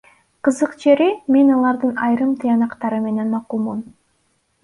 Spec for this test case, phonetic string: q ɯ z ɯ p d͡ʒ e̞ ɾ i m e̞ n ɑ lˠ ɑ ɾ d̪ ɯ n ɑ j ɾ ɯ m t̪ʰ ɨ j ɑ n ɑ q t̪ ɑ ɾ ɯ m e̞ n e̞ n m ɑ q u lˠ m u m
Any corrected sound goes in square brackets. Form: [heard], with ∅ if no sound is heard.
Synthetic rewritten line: q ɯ z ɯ [q] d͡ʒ e̞ ɾ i m e̞ n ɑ lˠ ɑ ɾ d̪ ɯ n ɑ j ɾ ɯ m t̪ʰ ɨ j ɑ n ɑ q t̪ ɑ ɾ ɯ m e̞ n e̞ n m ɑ q u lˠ m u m